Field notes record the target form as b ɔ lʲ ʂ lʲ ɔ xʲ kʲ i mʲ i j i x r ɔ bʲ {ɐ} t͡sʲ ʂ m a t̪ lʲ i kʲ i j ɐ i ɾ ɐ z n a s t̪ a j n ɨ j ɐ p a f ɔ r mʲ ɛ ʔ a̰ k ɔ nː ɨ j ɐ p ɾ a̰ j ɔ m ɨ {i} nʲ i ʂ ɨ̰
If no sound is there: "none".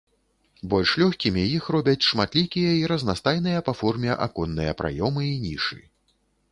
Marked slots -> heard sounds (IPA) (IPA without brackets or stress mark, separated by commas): ɐ, i